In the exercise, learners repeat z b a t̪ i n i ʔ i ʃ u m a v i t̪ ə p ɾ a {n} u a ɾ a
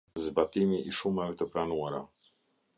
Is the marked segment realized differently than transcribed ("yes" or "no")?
no